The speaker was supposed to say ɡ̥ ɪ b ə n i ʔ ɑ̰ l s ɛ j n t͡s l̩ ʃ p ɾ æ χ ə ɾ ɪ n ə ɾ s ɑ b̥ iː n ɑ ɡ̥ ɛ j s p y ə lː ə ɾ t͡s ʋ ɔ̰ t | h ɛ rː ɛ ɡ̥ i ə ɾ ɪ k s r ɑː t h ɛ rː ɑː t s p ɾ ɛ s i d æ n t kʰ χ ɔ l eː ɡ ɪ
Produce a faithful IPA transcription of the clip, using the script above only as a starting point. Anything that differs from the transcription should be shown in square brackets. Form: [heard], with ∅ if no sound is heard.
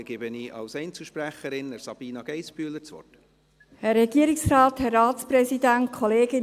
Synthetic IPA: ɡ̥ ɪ b ə n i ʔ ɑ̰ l s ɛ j n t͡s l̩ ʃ p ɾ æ χ ə ɾ ɪ n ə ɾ s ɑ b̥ iː n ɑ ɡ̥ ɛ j s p y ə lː ə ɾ t͡s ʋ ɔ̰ t | h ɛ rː ɛ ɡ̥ i ə ɾ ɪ k s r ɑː t h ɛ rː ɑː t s p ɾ ɛ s i d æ n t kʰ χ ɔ l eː ɡ ɪ